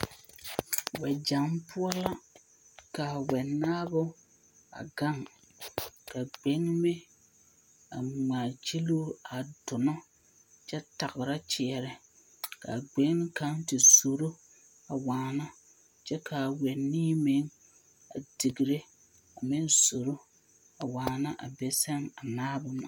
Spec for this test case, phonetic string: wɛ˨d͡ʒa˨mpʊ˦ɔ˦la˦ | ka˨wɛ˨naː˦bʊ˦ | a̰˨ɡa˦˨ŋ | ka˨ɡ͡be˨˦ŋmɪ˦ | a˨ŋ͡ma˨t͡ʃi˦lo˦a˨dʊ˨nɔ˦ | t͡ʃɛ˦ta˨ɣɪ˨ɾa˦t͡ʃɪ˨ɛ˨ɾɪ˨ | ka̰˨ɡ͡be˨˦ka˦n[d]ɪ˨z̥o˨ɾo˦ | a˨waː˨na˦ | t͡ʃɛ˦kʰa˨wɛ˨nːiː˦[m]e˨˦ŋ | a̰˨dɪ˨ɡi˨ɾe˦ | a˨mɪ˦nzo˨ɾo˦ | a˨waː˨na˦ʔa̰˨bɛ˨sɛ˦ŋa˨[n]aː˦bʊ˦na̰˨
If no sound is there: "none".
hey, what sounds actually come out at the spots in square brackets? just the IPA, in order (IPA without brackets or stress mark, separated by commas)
t, m, n